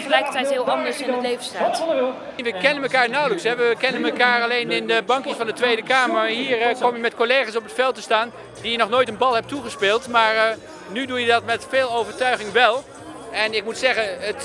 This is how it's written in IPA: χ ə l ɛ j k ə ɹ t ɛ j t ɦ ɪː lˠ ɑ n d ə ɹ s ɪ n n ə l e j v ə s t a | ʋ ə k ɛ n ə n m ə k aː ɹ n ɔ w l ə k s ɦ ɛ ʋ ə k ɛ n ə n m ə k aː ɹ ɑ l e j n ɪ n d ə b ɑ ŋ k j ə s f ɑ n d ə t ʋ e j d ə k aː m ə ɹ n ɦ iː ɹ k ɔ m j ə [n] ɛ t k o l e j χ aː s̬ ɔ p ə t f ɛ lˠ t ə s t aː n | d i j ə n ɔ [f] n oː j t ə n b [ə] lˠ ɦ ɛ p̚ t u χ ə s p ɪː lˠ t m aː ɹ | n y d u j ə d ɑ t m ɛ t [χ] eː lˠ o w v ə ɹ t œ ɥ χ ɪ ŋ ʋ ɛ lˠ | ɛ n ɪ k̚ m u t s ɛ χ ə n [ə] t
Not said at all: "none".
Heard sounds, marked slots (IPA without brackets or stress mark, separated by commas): m, χ, ɑ, f, ə